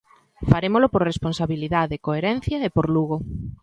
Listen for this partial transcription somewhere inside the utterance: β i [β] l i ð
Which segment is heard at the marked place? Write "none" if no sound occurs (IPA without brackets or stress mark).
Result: none